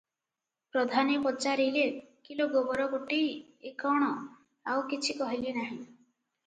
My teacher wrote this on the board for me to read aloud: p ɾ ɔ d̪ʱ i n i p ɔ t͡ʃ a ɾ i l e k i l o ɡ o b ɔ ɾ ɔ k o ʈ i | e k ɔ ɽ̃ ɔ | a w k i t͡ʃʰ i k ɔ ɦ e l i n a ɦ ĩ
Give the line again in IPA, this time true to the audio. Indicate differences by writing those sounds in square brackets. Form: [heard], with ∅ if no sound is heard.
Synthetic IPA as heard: p ɾ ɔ d̪ʱ [a] n i p ɔ t͡ʃ a ɾ i l e k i l o ɡ o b ɔ ɾ ɔ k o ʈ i | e k ɔ ɽ̃ ɔ | a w k i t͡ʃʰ i k ɔ ɦ [i] l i n a ɦ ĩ